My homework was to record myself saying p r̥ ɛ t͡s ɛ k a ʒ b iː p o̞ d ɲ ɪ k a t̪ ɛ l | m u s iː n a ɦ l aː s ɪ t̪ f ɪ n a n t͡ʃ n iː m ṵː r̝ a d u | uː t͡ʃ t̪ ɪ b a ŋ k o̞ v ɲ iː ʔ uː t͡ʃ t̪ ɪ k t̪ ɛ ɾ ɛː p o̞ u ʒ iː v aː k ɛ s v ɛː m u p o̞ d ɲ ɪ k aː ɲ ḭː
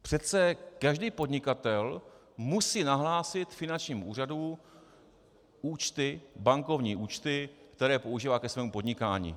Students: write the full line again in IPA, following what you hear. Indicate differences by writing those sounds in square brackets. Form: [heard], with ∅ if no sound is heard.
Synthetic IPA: p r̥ ɛ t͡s ɛ k a ʒ [d] iː p o̞ d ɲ ɪ k a t̪ ɛ l | m u s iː n a ɦ l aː s ɪ t̪ f ɪ n a n t͡ʃ [ɲ] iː m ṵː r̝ a d u | uː t͡ʃ t̪ ɪ b a ŋ k o̞ v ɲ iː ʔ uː t͡ʃ t̪ ɪ k t̪ ɛ ɾ ɛː p o̞ u ʒ iː v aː k ɛ s v ɛː m u p o̞ d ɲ ɪ k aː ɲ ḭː